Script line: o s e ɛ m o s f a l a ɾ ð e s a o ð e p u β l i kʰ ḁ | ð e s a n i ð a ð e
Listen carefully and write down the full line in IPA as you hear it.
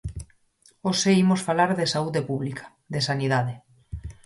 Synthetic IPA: o s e i m o s f a l a ɾ ð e s a u ð e p u β l i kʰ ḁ | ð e s a n i ð a ð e